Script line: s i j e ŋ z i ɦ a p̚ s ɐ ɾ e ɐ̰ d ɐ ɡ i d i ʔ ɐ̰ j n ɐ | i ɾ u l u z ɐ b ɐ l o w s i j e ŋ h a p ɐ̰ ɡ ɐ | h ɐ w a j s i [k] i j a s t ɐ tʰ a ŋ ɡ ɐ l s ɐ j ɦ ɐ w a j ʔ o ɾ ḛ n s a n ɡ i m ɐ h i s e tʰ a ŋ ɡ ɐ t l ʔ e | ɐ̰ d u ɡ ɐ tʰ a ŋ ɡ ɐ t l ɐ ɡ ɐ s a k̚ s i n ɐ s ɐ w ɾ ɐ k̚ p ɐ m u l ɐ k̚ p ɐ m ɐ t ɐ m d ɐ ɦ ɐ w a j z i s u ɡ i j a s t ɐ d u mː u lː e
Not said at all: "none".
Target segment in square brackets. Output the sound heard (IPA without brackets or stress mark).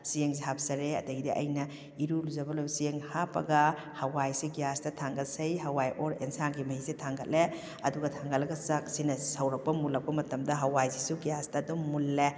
ɡ